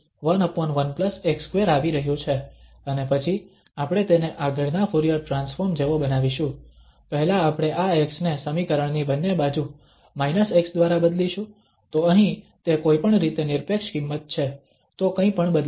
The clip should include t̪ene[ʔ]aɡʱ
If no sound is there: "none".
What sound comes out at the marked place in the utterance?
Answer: ʔ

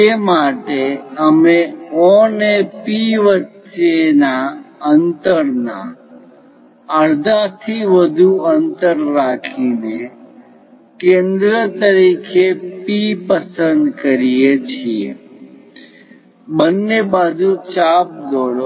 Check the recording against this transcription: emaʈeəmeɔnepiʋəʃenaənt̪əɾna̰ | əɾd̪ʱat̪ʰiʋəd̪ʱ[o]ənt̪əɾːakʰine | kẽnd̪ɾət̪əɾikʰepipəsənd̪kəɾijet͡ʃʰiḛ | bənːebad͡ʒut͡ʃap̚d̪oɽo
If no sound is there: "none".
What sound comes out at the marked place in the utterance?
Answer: u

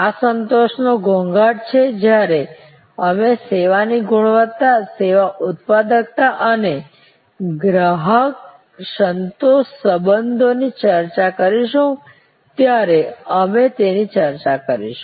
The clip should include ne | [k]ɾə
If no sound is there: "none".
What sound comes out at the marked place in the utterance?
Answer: ɡ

